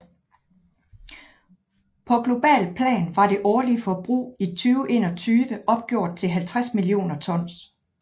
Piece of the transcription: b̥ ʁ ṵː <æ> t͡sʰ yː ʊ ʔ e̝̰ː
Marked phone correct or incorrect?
incorrect